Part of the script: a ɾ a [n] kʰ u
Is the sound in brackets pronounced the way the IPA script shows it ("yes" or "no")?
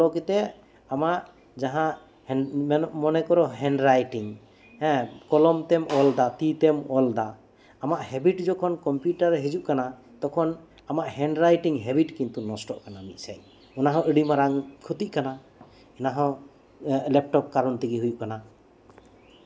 no